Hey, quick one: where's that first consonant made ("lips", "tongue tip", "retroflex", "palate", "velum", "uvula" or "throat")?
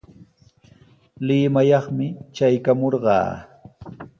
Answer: tongue tip